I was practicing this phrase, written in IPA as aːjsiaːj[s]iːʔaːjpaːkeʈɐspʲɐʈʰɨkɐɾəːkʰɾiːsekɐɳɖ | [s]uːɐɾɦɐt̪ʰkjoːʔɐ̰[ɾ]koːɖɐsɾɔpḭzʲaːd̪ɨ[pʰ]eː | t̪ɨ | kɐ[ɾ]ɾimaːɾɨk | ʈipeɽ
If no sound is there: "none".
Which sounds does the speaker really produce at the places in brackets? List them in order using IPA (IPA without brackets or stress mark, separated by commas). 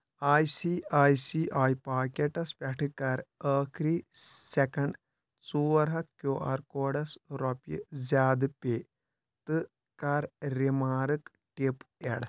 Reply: s, t͡s, ɾ, p, ɾ